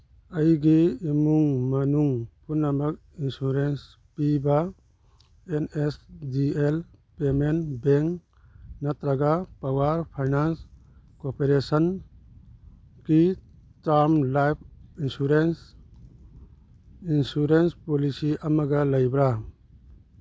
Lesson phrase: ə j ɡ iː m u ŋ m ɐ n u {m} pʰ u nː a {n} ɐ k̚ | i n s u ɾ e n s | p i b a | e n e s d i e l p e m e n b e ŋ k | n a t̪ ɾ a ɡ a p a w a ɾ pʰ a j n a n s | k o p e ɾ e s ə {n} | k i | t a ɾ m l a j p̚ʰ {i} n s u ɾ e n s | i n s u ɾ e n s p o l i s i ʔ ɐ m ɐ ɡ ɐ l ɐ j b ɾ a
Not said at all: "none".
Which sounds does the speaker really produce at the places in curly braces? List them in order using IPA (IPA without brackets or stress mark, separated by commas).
ŋ, m, n, i